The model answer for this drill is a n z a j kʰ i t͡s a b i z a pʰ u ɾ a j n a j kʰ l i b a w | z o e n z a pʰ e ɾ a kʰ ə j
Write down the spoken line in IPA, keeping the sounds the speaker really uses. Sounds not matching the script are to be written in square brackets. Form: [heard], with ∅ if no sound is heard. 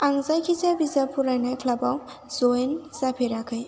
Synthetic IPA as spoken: a [ŋ] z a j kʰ i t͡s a b i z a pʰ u ɾ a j n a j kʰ l [a] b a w | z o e n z a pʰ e ɾ a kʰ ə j